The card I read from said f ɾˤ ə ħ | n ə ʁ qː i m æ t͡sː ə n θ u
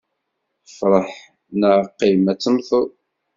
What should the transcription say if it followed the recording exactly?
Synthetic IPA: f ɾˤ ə ħ | n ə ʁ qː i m æ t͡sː ə m θ u